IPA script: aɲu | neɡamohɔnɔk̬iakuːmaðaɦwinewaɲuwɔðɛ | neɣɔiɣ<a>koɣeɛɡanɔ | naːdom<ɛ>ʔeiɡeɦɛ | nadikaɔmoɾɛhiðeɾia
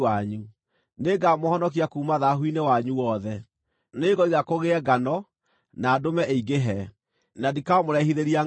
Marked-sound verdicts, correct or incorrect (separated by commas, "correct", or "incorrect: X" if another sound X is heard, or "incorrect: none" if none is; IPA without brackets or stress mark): correct, correct